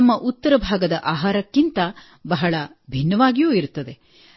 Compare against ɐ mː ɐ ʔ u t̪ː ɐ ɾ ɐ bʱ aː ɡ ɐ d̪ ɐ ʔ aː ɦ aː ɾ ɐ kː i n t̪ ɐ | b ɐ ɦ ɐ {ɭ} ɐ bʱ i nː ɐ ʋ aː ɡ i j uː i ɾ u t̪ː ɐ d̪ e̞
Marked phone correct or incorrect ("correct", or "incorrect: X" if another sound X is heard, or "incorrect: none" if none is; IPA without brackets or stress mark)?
correct